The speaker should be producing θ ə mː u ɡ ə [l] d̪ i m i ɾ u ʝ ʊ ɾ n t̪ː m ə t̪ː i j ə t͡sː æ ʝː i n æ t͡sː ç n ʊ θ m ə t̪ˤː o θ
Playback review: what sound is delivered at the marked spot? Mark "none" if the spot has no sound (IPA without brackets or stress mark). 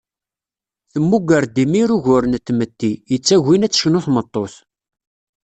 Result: ɾ